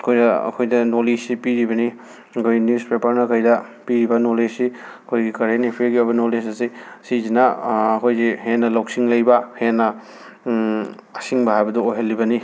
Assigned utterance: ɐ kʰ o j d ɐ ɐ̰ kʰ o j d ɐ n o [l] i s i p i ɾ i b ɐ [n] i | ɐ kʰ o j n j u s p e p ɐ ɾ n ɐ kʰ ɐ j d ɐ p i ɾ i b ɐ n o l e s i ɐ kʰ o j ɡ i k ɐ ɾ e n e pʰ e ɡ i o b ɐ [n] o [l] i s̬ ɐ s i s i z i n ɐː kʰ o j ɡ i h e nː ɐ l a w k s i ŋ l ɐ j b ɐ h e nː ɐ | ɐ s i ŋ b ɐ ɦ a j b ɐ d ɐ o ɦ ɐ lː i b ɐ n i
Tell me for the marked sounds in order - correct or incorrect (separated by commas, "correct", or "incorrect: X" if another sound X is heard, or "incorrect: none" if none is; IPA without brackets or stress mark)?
correct, correct, correct, correct